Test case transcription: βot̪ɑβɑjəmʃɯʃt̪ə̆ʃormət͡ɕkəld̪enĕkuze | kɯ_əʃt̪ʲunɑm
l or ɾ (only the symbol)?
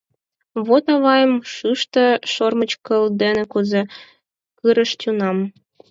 ɾ